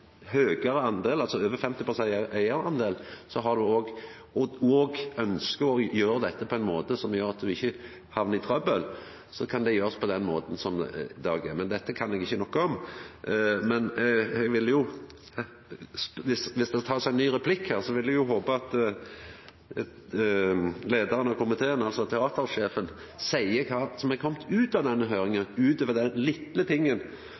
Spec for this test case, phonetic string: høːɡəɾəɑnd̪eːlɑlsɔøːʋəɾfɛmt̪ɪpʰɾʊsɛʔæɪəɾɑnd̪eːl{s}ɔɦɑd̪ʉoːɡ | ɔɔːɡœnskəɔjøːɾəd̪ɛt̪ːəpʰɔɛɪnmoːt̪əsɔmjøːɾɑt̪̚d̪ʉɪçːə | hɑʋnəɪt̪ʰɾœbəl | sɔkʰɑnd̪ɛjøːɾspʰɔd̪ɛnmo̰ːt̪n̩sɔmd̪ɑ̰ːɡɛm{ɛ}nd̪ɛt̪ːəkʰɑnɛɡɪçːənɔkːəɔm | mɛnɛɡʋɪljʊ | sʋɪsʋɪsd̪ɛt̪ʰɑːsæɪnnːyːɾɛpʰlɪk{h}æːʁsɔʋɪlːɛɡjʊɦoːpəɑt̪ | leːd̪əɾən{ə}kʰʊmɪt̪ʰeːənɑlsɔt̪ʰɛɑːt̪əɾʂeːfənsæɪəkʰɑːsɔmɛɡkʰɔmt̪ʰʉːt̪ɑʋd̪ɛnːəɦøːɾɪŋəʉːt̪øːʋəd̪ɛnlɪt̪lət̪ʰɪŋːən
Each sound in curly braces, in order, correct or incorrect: correct, correct, correct, incorrect

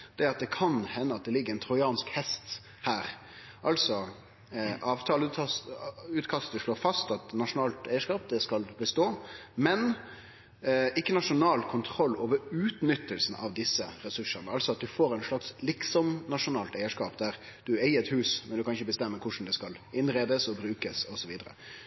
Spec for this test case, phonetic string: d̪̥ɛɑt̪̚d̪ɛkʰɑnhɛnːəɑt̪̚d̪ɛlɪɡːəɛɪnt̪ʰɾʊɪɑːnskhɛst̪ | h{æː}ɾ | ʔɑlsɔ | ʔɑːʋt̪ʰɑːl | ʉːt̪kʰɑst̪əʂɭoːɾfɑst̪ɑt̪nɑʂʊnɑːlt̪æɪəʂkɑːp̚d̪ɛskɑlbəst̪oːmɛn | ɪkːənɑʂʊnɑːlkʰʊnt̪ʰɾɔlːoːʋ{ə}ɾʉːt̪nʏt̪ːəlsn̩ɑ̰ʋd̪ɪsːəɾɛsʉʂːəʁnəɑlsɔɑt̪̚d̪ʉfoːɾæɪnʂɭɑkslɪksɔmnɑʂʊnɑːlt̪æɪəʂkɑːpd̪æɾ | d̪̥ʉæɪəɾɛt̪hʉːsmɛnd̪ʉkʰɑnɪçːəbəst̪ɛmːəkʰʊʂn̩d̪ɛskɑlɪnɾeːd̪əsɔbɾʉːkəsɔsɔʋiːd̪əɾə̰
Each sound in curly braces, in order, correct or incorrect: correct, correct

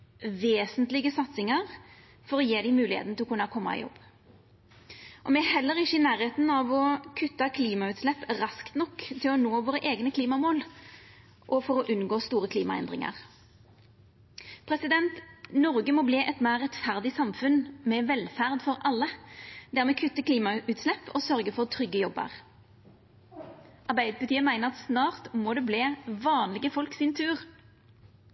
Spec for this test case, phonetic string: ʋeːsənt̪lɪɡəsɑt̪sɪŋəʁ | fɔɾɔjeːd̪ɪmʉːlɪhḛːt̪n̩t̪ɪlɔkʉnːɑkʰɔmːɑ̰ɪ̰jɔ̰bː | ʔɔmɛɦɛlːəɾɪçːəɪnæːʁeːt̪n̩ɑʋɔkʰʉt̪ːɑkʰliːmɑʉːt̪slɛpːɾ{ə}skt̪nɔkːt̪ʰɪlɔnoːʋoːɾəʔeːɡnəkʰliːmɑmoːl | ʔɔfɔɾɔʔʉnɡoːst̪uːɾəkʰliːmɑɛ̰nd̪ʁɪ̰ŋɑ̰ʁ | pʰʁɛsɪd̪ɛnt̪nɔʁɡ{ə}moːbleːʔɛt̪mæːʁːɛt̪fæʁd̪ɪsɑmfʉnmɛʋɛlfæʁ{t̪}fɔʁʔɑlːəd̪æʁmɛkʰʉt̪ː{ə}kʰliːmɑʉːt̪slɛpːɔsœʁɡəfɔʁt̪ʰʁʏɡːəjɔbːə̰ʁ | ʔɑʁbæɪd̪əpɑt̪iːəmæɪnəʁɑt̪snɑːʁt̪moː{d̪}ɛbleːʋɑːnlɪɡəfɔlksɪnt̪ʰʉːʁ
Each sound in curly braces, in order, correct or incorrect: incorrect, correct, incorrect, correct, correct

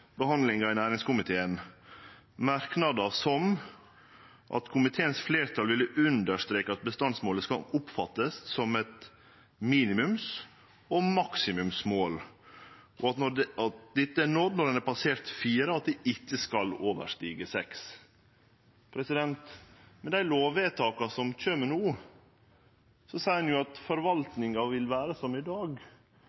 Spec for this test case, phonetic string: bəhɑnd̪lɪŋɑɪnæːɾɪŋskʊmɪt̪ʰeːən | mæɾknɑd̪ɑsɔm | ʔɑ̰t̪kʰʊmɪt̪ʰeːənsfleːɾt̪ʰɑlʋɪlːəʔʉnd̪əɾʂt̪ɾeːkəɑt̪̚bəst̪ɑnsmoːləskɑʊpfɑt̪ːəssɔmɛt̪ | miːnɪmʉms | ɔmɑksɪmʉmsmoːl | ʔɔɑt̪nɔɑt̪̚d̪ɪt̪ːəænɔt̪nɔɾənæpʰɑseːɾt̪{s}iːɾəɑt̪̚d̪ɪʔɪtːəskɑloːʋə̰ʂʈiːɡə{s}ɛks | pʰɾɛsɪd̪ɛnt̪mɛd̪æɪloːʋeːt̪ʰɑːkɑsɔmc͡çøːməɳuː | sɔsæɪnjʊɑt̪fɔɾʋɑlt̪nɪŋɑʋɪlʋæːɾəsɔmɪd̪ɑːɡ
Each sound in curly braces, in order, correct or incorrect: incorrect, correct

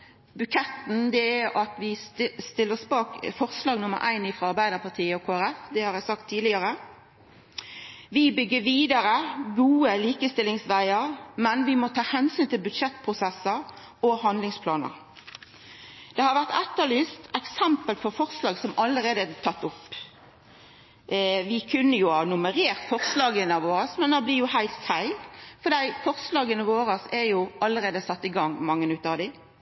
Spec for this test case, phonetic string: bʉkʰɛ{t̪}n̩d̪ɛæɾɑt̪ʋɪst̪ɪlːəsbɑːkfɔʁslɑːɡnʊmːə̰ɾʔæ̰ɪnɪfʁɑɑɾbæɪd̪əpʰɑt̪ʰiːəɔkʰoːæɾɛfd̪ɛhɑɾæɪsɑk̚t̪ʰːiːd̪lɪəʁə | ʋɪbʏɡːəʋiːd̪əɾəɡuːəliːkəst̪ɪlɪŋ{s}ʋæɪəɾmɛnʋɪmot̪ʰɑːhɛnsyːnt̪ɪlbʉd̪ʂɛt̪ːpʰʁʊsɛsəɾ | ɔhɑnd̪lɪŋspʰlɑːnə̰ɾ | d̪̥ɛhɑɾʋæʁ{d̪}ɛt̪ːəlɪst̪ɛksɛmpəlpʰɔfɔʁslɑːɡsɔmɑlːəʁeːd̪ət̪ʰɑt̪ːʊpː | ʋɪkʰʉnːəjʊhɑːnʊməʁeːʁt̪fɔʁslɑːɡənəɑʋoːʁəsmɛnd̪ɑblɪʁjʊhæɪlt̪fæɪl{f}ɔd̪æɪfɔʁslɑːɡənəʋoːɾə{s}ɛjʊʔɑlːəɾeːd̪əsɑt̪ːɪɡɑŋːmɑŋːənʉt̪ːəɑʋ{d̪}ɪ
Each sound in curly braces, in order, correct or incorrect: correct, correct, incorrect, correct, correct, correct

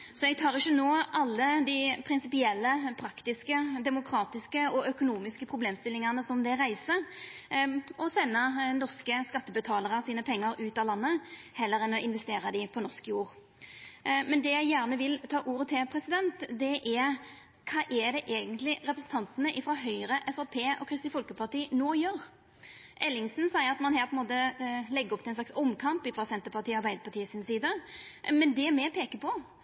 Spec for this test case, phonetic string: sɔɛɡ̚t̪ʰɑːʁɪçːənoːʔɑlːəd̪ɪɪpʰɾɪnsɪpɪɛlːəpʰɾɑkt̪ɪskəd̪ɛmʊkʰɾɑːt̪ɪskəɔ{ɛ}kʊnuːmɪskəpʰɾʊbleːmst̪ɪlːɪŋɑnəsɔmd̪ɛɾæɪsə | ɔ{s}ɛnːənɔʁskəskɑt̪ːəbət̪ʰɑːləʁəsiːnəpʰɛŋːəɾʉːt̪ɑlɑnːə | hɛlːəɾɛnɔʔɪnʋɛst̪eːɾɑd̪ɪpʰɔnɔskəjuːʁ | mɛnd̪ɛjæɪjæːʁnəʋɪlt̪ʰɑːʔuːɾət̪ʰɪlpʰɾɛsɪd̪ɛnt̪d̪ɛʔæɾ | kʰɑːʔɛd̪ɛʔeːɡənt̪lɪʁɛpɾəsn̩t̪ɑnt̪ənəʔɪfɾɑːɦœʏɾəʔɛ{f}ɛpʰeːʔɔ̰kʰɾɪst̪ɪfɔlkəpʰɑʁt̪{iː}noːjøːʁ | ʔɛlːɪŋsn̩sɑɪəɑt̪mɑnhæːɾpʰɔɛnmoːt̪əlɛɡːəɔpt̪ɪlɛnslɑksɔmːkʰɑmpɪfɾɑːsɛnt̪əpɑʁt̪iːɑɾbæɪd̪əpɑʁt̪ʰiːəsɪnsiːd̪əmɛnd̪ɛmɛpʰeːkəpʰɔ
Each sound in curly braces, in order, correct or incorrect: incorrect, correct, correct, correct

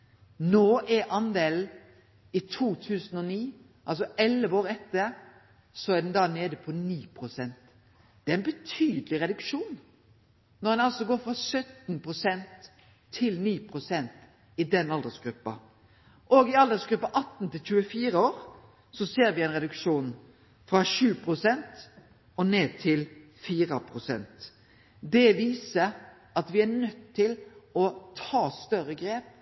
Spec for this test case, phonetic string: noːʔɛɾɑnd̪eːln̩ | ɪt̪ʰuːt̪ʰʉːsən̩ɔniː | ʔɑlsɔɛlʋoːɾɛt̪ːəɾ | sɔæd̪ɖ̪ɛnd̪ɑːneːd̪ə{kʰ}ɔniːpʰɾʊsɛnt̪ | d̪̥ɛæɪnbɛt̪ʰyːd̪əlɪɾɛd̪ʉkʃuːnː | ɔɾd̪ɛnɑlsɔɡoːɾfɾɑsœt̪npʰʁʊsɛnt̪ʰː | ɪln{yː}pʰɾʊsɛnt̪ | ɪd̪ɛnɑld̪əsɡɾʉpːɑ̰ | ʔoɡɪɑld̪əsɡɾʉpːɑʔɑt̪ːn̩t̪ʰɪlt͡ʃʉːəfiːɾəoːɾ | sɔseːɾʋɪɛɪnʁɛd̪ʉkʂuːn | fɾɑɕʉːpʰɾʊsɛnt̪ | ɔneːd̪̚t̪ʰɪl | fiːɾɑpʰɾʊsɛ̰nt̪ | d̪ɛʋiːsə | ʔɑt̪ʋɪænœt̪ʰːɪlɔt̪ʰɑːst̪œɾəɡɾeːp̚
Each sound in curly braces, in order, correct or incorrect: incorrect, incorrect

